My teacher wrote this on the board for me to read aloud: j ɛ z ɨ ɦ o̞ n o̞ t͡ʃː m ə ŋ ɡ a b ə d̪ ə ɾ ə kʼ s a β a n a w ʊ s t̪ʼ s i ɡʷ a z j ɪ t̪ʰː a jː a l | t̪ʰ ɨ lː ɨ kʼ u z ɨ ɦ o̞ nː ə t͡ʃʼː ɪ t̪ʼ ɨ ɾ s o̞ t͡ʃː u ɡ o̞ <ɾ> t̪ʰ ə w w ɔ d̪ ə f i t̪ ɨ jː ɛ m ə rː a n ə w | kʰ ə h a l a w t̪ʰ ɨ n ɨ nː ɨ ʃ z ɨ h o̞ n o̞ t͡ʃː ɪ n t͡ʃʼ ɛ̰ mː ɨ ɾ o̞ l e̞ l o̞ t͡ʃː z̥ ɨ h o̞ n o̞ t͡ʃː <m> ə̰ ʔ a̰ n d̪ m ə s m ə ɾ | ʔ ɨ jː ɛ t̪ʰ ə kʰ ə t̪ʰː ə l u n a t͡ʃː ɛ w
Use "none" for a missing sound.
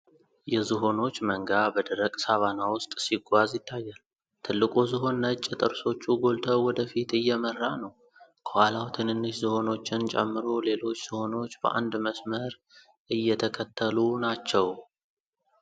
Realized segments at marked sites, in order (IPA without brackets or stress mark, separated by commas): l, b